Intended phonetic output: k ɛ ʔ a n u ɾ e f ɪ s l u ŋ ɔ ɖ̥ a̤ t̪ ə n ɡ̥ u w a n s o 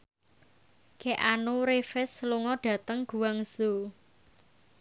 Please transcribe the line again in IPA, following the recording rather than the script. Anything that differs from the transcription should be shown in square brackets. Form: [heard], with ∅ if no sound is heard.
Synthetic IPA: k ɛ ʔ a n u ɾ e f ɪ s l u ŋ ɔ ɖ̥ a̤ t̪ ə [ŋ] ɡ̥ u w a [ŋ] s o